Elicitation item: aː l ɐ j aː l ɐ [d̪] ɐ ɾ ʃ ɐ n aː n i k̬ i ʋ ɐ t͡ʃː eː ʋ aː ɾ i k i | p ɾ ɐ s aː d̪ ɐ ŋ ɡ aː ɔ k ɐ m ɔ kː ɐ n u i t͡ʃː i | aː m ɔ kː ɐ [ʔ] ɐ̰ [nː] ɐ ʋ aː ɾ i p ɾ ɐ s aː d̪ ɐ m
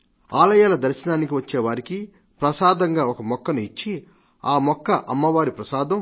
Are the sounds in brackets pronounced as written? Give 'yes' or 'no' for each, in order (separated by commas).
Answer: yes, yes, no